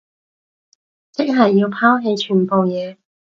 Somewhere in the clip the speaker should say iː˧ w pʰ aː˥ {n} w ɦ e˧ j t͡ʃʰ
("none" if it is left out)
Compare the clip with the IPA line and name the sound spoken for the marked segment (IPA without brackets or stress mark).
none